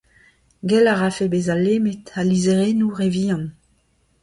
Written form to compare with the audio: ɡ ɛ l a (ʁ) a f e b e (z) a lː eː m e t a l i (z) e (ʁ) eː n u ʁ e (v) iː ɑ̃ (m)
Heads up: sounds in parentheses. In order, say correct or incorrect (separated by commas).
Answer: correct, correct, correct, correct, correct, incorrect